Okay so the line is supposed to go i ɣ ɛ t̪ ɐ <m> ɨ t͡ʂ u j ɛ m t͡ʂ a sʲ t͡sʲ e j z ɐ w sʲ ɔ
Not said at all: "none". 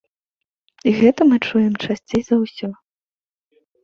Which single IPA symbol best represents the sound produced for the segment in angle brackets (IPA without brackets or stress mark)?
m